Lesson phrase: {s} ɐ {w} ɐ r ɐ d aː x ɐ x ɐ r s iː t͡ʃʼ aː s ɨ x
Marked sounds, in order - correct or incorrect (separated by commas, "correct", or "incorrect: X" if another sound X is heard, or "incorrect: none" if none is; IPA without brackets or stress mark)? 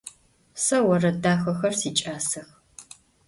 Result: correct, correct